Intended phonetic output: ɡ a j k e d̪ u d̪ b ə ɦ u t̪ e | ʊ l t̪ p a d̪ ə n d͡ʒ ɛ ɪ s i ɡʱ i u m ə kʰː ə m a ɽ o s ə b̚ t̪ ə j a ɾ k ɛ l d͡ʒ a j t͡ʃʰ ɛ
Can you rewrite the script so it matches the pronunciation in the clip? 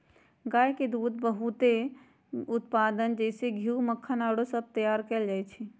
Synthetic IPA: ɡ a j k e d̪ u d̪ b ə ɦ u t̪ e | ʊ t̪ p a d̪ ə n d͡ʒ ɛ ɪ s e ɡʱ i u m ə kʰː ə n a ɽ o s ə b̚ t̪ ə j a ɾ k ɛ l d͡ʒ a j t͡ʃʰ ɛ